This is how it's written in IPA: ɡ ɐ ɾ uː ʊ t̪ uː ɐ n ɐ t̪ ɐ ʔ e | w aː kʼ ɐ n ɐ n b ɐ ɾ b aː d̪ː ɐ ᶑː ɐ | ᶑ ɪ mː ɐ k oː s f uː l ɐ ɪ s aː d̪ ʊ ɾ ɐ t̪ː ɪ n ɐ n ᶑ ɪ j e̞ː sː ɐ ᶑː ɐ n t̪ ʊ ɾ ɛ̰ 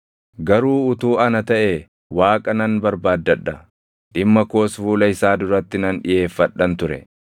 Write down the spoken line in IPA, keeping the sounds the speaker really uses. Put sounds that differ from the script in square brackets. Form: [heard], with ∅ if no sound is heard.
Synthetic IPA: ɡ ɐ ɾ uː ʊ t̪ uː ɐ n ɐ t̪ ɐ ʔ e | w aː kʼ ɐ n ɐ n b ɐ ɾ b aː d̪ː ɐ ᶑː ɐ | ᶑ ɪ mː ɐ k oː s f uː l ɐ ɪ s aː d̪ ʊ ɾ ɐ t̪ː ɪ n ɐ n ᶑ ɪ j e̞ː [fː] ɐ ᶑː ɐ n t̪ ʊ ɾ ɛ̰

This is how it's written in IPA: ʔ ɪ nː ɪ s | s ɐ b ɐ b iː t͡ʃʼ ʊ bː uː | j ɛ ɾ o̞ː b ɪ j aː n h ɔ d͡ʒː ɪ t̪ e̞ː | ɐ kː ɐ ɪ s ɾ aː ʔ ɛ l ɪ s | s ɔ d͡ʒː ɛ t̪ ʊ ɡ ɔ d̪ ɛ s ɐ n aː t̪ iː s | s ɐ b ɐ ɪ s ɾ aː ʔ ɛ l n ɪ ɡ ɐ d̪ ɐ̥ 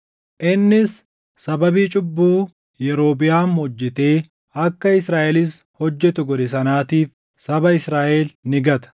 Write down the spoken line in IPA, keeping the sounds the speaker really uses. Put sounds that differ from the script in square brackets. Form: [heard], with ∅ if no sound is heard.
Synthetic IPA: ʔ ɪ nː ɪ s | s ɐ b ɐ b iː t͡ʃʼ ʊ bː uː | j ɛ ɾ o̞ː b ɪ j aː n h ɔ d͡ʒː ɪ t̪ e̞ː | ɐ kː ɐ ɪ s ɾ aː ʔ ɛ l ɪ s | [h] ɔ d͡ʒː ɛ t̪ ʊ ɡ ɔ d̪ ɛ s ɐ n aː t̪ iː [f] | s ɐ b ɐ ɪ s ɾ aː ʔ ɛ l n ɪ ɡ ɐ [t̪] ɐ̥

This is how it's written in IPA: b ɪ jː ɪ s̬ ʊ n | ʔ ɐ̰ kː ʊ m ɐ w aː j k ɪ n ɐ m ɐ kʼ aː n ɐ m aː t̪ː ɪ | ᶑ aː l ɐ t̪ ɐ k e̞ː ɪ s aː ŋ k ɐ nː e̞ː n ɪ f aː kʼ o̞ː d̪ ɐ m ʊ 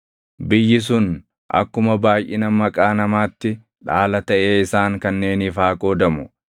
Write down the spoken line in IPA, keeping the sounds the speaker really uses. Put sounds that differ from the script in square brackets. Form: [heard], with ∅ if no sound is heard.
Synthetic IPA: b ɪ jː ɪ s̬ ʊ n | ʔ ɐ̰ kː ʊ m ɐ [b] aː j [ʔ] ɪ n ɐ m ɐ kʼ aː n ɐ m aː t̪ː ɪ | ᶑ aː l ɐ t̪ ɐ [ʔ] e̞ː ɪ s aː ŋ k ɐ nː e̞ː n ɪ f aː kʼ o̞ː d̪ ɐ m ʊ

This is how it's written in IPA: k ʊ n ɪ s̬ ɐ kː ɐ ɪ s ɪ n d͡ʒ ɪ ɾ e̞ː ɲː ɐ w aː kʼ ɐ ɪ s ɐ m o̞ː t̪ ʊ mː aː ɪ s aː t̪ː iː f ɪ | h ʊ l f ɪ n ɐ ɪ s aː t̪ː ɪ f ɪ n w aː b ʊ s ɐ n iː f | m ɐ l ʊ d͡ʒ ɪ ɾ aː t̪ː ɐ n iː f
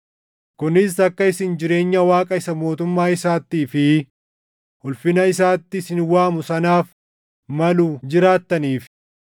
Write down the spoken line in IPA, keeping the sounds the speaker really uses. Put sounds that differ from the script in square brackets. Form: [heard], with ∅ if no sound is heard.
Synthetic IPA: k ʊ n ɪ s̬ ɐ kː ɐ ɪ s ɪ n d͡ʒ ɪ ɾ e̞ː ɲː ɐ w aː kʼ ɐ ɪ s ɐ m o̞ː t̪ ʊ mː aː ɪ s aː t̪ː iː f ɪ | h ʊ l f ɪ n ɐ ɪ s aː t̪ː ɪ [s] ɪ n w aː [m] ʊ s ɐ n [aː] f | m ɐ l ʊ d͡ʒ ɪ ɾ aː t̪ː ɐ n iː f

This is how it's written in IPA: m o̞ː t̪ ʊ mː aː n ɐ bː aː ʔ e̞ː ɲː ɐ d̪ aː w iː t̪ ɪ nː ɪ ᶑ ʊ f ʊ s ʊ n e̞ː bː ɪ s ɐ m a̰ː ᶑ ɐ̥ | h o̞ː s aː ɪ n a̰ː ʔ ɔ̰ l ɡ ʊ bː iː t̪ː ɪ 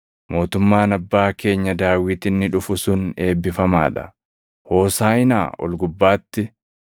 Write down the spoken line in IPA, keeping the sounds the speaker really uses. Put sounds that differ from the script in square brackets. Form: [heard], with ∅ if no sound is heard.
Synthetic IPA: m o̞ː t̪ ʊ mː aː n ɐ bː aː [k] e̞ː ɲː ɐ d̪ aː w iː t̪ ɪ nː ɪ ᶑ ʊ f ʊ s ʊ n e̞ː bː ɪ [f] ɐ m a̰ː ᶑ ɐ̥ | h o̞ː s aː ɪ n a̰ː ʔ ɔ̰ l ɡ ʊ bː [aː] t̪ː ɪ

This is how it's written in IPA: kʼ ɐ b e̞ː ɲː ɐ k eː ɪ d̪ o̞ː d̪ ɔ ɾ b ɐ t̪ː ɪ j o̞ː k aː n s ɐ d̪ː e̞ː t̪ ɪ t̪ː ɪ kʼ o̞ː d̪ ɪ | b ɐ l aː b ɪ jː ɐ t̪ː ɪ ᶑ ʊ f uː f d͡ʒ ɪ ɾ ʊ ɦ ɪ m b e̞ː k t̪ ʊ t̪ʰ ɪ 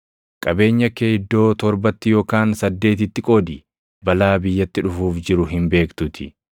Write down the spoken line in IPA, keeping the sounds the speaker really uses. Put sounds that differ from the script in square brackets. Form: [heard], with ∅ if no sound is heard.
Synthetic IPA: kʼ ɐ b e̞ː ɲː ɐ k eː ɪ [d̪ː] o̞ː [t̪] ɔ ɾ b ɐ t̪ː ɪ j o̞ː k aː n s ɐ d̪ː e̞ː t̪ ɪ t̪ː ɪ kʼ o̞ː d̪ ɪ | b ɐ l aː b ɪ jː ɐ t̪ː ɪ ᶑ ʊ f uː f d͡ʒ ɪ ɾ ʊ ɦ ɪ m b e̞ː k t̪ ʊ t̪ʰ ɪ

